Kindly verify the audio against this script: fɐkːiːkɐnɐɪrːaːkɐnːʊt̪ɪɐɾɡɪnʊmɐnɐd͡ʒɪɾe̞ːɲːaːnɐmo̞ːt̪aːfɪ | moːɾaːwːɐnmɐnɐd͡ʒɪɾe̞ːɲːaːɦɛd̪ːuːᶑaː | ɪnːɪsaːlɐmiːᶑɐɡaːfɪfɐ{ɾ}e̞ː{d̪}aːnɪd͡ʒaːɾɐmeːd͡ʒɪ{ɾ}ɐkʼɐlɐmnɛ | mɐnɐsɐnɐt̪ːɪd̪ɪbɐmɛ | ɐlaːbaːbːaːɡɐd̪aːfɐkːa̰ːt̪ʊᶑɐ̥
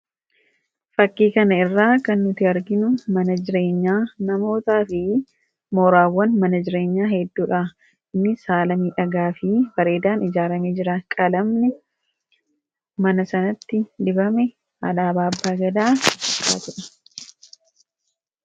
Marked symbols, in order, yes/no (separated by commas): yes, yes, yes